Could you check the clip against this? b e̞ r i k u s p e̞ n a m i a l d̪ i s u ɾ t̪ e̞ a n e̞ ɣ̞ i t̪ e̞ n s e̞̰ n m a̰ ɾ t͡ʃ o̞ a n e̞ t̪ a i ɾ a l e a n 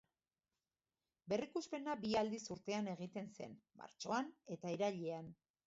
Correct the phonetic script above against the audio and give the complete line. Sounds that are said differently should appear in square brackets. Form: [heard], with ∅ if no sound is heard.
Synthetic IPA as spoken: b e̞ r i k u s p e̞ n a [b] i a l d̪ i s u ɾ t̪ e̞ a n e̞ ɣ̞ i t̪ e̞ n s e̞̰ n m a̰ ɾ t͡ʃ o̞ a n e̞ t̪ a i ɾ a [ʎ] e a n